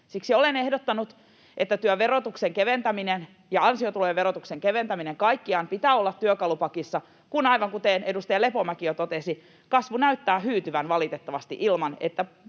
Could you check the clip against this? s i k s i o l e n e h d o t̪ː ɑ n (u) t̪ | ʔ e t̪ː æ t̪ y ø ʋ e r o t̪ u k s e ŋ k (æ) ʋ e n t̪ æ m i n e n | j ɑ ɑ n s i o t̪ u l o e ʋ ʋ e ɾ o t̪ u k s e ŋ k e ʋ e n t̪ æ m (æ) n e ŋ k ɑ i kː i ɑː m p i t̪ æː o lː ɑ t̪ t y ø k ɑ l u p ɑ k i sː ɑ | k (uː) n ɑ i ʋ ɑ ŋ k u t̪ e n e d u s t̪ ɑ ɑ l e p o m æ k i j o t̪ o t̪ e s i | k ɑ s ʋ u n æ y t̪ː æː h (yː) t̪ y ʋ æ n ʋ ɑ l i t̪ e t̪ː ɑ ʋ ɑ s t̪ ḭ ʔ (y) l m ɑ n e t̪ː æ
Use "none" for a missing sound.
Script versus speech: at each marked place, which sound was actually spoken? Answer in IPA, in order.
u, e, i, u, yː, i

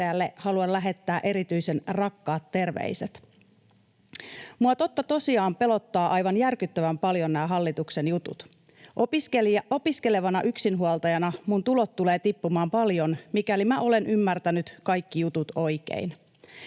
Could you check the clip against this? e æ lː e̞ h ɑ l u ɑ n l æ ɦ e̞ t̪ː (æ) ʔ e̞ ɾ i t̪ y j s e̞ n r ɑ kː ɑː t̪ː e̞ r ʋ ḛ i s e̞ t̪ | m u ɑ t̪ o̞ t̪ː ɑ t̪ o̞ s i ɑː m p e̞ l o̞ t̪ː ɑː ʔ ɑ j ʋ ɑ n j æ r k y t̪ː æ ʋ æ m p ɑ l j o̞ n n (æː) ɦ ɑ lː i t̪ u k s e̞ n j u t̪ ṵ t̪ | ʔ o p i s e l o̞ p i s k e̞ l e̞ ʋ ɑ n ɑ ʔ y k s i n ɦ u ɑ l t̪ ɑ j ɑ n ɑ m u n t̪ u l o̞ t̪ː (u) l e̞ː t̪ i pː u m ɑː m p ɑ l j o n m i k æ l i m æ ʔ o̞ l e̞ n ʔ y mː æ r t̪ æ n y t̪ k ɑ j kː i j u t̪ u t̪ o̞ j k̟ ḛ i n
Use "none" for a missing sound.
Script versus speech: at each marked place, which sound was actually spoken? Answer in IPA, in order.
æː, æː, u

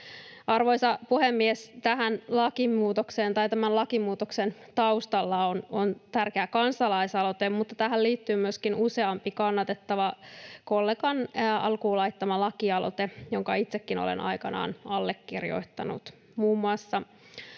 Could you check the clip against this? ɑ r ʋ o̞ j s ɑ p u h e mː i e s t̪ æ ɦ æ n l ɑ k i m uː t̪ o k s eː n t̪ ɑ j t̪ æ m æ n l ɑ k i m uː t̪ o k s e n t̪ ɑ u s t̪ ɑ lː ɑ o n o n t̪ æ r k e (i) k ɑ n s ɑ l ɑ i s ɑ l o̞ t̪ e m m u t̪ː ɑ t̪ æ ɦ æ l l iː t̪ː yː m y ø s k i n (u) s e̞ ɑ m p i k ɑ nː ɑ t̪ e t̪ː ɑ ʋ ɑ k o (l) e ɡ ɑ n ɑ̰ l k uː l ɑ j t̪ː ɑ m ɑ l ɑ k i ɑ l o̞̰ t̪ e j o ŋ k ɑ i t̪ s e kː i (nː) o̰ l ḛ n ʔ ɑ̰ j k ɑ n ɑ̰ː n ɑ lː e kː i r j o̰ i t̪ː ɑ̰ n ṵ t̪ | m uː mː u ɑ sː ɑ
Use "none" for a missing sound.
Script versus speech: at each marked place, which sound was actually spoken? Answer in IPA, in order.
æ, u, lː, n

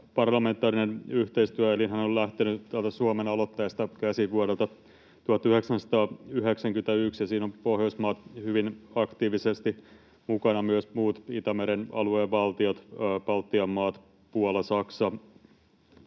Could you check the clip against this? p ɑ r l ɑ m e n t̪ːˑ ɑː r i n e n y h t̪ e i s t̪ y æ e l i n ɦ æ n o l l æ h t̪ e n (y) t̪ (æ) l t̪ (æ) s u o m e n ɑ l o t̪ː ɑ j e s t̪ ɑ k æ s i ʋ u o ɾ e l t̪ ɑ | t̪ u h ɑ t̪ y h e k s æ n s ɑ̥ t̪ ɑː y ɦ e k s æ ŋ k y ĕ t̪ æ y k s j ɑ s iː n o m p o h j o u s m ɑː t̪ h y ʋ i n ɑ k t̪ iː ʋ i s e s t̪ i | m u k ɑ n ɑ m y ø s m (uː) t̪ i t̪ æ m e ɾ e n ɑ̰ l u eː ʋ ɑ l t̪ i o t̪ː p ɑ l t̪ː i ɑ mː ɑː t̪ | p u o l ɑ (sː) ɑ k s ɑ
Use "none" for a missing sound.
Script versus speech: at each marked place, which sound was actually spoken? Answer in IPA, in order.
y, æ, æ, uː, s

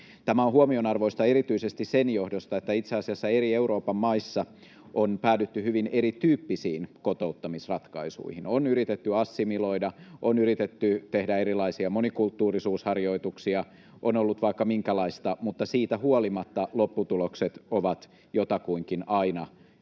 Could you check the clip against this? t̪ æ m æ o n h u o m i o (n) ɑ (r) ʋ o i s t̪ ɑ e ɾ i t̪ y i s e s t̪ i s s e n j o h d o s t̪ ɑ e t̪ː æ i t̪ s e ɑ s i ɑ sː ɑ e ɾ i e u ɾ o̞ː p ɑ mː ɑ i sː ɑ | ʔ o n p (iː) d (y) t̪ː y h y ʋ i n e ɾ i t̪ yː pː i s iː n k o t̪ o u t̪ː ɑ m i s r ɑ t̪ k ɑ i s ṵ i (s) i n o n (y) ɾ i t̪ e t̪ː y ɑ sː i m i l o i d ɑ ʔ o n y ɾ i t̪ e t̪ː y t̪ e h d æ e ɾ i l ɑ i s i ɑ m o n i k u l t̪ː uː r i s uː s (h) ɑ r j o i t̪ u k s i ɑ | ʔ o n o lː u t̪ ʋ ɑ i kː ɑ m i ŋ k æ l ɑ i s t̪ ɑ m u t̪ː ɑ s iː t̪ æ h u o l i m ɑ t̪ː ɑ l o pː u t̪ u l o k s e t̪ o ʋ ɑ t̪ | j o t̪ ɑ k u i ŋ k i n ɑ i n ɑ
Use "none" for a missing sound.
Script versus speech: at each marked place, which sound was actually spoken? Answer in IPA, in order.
n, r, æː, y, h, y, h

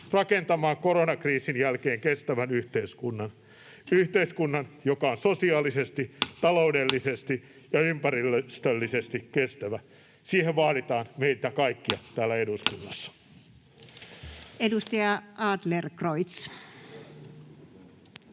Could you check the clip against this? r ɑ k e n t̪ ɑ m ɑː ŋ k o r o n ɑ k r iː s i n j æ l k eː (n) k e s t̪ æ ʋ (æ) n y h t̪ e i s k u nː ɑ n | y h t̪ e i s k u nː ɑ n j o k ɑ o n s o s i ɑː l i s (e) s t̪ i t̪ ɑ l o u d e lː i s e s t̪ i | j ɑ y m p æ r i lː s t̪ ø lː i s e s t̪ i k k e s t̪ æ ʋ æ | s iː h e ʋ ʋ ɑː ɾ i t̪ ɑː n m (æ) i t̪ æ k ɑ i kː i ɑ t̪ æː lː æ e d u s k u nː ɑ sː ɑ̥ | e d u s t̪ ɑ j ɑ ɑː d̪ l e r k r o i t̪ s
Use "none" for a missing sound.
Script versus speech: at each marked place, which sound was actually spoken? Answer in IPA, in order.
ŋ, æ, e, e

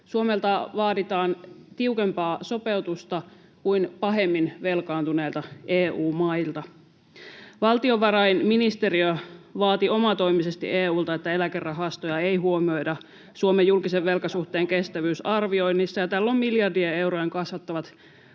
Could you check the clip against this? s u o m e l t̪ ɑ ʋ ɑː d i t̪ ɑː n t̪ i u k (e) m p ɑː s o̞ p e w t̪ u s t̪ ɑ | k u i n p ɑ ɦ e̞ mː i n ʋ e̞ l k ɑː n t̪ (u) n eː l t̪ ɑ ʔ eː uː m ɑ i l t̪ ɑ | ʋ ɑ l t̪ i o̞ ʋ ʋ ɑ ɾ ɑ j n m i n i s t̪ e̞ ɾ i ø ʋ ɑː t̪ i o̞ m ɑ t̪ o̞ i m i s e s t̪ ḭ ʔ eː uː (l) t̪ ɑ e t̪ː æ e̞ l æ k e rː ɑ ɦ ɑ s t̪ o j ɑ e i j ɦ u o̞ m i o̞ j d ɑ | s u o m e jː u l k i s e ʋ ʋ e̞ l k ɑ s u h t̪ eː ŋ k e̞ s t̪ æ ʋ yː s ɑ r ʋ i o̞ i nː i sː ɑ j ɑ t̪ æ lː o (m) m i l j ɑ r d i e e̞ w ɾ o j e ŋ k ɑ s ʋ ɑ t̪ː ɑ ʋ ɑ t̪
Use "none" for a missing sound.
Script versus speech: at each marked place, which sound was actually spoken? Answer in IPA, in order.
e, u, l, m

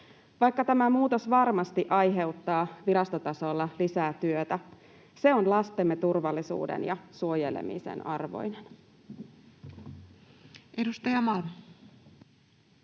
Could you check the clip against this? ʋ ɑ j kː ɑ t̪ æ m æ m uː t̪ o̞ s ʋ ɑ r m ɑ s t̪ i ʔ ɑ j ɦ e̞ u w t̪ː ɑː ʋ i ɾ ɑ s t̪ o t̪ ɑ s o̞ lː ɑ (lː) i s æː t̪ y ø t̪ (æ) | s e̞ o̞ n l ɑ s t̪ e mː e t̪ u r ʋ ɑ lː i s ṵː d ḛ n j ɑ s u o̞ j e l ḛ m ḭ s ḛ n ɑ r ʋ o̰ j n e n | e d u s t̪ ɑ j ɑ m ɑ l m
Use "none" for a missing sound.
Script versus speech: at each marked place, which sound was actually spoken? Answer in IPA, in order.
l, æ

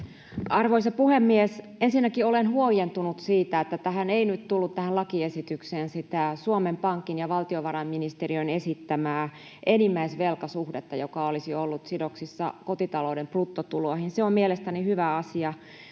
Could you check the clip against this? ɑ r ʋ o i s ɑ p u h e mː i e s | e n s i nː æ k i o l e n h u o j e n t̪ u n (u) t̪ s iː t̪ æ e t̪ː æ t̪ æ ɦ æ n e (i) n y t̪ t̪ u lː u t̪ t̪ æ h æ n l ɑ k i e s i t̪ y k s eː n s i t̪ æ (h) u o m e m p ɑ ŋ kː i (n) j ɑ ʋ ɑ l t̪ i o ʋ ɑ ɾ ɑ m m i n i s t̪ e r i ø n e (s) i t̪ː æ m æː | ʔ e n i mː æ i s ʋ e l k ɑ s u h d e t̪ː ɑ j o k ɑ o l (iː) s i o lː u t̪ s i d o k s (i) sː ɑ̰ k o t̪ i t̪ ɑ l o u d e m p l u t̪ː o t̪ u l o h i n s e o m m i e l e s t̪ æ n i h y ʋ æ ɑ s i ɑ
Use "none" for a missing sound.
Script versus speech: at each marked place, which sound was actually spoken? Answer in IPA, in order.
u, i, s, n, s, i, i

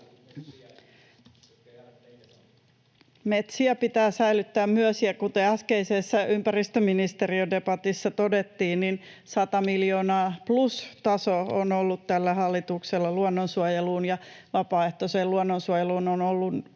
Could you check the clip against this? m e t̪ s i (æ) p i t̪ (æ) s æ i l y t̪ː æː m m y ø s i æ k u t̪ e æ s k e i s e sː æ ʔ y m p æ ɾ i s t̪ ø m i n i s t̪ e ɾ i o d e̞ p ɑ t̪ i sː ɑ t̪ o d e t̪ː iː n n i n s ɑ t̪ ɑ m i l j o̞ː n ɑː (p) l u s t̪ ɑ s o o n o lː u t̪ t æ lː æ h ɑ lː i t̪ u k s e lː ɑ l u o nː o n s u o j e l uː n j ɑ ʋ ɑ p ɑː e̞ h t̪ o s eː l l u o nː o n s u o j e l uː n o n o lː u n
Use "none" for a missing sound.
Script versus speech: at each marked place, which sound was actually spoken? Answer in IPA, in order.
æ, æː, p

